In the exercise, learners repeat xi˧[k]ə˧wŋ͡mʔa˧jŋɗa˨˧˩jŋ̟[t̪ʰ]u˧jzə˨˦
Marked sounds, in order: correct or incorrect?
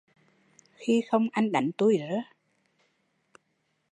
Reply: incorrect: x, incorrect: t̪

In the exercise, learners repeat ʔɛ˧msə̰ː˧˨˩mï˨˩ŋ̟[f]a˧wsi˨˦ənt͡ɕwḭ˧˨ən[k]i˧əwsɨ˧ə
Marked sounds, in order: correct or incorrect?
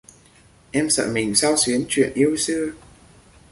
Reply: incorrect: s, incorrect: ʔ

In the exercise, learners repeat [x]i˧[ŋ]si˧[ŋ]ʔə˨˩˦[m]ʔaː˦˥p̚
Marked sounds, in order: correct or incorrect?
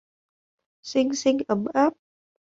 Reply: incorrect: s, correct, correct, correct

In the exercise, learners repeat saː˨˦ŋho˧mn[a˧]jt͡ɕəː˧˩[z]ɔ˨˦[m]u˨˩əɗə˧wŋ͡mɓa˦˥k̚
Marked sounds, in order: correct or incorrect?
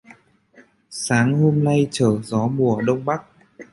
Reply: correct, correct, correct

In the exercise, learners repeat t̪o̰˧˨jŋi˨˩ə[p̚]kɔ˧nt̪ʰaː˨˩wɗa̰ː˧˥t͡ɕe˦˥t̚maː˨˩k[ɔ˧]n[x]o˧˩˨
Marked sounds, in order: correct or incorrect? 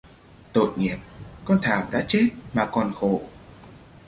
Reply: correct, incorrect: ɔ˨˩, correct

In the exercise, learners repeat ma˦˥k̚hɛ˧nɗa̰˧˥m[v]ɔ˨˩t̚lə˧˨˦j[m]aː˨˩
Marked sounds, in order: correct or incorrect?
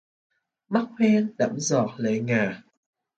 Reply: incorrect: z, incorrect: ŋ

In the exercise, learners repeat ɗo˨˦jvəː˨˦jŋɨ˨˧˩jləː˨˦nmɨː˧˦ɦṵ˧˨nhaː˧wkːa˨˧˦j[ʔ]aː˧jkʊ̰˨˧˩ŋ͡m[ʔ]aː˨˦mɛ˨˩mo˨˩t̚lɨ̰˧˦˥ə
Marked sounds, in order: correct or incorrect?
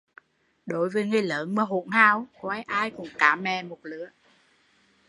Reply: correct, incorrect: k

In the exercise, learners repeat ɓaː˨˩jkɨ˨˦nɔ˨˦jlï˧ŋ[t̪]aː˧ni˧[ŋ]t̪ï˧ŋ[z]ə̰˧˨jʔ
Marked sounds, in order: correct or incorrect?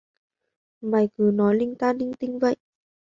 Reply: correct, correct, incorrect: v

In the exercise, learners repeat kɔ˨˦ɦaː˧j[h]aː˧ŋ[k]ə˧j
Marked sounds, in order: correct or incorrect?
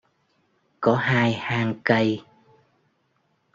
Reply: correct, correct

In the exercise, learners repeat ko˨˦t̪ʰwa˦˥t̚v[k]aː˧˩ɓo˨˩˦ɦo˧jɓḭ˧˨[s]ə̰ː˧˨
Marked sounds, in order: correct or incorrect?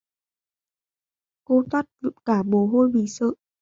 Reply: correct, correct

